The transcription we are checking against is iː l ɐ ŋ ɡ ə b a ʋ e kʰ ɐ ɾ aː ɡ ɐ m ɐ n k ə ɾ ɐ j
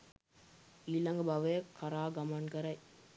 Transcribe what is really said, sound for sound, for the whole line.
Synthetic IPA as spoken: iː l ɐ ŋ ɡ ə b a ʋ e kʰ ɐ ɾ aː ɡ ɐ m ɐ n k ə ɾ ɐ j